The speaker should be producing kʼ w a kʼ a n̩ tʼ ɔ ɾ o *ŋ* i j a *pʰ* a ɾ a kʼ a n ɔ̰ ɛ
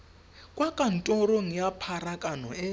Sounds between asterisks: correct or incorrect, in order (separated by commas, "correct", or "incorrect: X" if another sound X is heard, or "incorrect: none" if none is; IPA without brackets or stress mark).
correct, correct